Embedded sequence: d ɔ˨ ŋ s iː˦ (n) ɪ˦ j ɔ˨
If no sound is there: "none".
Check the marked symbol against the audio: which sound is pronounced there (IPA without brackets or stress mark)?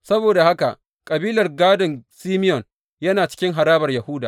m